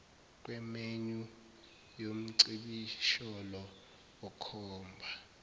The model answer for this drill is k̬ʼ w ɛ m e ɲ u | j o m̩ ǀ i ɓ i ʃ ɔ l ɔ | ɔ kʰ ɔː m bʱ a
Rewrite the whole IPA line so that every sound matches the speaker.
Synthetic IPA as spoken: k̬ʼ w ɛ m e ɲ u | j o m̩ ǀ i ɓ i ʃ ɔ l ɔ | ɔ kʰ ɔː m bʱ a